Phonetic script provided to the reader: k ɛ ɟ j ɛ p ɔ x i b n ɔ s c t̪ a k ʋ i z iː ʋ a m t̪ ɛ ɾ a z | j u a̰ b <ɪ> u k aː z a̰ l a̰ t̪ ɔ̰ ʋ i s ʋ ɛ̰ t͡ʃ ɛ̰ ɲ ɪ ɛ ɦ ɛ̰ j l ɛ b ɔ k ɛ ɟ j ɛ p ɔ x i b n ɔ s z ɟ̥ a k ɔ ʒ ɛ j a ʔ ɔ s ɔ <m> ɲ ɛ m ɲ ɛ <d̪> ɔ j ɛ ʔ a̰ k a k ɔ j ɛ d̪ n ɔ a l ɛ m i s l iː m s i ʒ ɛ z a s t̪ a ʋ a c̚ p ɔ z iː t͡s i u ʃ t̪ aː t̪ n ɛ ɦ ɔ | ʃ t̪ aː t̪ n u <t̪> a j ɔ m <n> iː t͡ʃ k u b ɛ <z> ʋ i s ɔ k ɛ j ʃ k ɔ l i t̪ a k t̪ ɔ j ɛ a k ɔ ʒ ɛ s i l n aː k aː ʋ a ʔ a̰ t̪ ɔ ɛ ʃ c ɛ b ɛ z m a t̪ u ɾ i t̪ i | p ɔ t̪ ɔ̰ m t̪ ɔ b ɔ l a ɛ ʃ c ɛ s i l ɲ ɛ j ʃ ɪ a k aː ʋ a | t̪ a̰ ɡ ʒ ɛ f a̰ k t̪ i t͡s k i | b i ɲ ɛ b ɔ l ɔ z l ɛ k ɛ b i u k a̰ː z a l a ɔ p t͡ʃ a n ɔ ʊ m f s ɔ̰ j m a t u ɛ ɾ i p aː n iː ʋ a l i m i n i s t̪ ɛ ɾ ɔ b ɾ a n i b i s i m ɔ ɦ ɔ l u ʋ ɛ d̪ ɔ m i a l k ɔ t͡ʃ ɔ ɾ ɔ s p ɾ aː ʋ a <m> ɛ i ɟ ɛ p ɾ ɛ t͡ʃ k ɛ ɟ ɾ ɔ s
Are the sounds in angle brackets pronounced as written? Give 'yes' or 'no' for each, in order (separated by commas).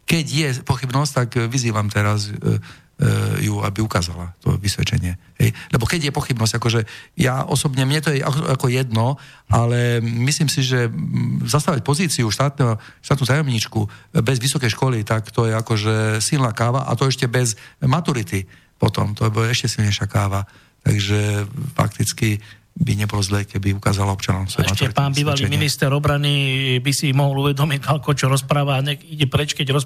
no, no, no, yes, no, yes, no